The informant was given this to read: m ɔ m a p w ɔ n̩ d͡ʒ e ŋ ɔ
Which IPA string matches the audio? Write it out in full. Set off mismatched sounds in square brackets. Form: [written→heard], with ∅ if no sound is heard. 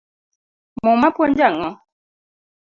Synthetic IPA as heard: m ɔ m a p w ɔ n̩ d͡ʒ [e→a] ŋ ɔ